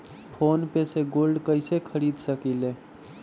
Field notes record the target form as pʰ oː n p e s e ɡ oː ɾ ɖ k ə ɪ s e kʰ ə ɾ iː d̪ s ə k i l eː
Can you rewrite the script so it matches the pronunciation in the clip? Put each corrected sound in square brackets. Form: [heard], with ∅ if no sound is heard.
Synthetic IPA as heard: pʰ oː n p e s e ɡ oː [l] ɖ k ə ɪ s e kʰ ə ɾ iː d̪ s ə k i l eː